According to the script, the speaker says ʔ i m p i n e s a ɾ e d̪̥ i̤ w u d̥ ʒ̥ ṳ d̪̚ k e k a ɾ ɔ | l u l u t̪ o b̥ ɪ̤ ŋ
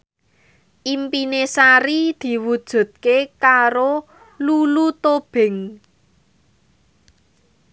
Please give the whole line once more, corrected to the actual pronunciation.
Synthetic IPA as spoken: ʔ i m p i n e s a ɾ i d̪̥ i̤ w u d̥ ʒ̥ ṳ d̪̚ k e k a ɾ o | l u l u t̪ o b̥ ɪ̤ ŋ